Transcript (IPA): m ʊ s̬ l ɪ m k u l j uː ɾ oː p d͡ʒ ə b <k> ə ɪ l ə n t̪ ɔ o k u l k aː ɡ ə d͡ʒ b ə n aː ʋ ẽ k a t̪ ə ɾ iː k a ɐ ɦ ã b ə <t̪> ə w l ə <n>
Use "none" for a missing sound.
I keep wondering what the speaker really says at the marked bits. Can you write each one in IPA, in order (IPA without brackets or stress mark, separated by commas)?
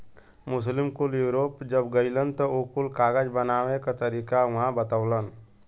ɡ, t̪, n